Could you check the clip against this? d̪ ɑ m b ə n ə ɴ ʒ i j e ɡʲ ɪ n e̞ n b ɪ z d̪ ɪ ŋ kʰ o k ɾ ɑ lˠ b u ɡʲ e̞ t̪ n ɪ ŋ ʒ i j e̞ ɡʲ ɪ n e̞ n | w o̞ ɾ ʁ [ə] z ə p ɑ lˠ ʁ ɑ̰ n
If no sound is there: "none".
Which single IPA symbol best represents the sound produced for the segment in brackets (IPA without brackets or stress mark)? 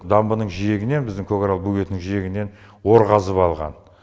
ɑ